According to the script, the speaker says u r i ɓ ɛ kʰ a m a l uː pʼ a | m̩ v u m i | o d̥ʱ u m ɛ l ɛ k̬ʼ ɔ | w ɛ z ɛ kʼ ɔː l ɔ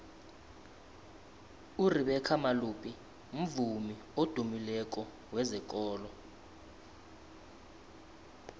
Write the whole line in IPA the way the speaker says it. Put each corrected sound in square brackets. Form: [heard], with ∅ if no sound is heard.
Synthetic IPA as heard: u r i ɓ ɛ kʰ a m a l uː pʼ [i] | m̩ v u m i | o d̥ʱ u m [i] l ɛ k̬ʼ ɔ | w ɛ z ɛ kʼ ɔː l ɔ